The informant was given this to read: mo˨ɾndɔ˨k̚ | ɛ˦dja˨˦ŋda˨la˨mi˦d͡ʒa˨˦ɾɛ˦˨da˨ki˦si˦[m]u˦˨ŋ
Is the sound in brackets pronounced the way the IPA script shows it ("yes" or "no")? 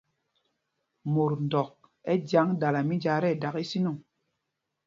no